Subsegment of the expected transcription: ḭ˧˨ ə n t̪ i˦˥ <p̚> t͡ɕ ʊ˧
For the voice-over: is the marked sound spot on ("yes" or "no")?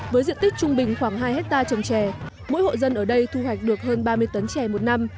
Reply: no